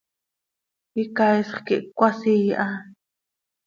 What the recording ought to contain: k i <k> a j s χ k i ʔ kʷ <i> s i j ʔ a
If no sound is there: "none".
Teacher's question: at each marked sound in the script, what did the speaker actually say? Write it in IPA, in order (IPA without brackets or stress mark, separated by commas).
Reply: k, a